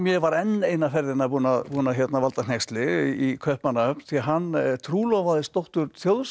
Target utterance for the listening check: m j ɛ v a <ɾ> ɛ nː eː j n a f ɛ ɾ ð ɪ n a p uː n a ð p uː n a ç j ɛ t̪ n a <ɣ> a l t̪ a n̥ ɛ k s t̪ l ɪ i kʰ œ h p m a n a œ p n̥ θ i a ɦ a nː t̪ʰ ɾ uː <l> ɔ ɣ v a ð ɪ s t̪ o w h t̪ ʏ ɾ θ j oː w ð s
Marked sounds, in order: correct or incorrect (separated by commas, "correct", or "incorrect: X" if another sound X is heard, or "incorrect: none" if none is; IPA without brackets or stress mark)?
correct, incorrect: v, correct